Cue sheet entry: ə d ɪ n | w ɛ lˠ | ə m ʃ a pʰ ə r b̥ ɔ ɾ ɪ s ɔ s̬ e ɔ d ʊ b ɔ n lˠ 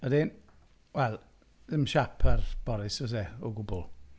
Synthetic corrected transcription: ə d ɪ n | w ɛ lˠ | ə m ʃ a pʰ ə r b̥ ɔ ɾ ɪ s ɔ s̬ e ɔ ɡ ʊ b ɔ lˠ